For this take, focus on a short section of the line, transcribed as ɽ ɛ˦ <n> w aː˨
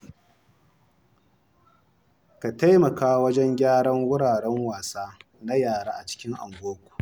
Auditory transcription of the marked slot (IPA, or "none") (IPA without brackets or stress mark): ŋ